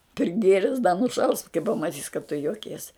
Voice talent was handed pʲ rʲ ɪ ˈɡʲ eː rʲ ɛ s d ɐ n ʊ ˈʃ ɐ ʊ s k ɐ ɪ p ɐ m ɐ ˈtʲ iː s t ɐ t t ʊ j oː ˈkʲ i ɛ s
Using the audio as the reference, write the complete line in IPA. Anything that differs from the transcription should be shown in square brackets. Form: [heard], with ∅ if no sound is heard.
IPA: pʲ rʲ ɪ ˈɡʲ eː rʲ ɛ s d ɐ n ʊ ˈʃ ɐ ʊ s k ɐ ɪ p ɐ m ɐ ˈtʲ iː s [k] ɐ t t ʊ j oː ˈkʲ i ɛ s